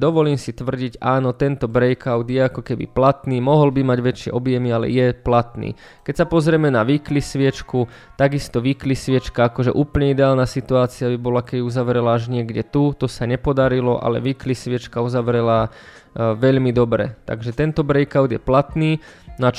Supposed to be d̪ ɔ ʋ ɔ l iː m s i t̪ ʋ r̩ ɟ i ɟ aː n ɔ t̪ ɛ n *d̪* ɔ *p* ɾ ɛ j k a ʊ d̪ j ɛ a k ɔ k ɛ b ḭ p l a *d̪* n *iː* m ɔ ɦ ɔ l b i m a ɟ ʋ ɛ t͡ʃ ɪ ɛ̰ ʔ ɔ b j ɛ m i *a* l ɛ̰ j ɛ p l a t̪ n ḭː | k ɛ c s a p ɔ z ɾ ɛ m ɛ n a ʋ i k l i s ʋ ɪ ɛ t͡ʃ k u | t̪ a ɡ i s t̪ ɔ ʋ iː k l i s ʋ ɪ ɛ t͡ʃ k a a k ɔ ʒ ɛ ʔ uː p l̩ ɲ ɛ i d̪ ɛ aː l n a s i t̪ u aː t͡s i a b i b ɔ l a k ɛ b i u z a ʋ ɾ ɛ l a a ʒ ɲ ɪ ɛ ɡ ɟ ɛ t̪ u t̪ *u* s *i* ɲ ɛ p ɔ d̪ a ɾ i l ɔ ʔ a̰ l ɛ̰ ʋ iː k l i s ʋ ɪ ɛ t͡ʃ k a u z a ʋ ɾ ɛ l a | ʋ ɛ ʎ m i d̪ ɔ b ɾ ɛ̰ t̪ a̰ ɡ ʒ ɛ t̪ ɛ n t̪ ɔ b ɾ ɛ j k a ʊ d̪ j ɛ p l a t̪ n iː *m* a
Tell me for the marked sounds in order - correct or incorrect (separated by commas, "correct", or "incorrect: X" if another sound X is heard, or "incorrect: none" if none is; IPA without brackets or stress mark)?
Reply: incorrect: t̪, incorrect: b, incorrect: t̪, correct, correct, incorrect: ɔ, incorrect: a, incorrect: n